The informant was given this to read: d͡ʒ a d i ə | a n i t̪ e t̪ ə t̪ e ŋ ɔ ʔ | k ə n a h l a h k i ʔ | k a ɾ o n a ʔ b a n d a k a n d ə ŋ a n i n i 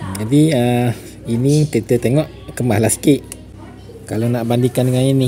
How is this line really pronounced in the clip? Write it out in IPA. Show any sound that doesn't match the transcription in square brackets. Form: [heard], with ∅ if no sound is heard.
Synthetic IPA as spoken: d͡ʒ a d i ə | [i] n i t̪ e t̪ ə t̪ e ŋ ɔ ʔ | k ə [m] a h l a [s] k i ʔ | k a [l] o n a ʔ b a n d [i] k a n d ə ŋ a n i n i